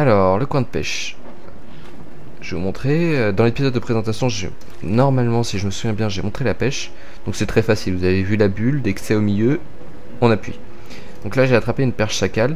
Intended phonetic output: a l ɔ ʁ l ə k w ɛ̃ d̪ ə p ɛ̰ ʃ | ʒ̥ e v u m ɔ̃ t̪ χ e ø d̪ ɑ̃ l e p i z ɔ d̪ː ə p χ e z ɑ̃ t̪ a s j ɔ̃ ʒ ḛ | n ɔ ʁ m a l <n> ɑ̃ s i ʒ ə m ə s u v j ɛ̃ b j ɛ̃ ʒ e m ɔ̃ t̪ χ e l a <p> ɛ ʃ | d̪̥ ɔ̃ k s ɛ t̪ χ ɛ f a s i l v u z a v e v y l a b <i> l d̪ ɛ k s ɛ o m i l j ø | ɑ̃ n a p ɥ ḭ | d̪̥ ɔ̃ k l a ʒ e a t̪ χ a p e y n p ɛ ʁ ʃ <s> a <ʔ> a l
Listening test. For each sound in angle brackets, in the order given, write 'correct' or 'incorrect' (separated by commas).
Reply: incorrect, correct, incorrect, correct, incorrect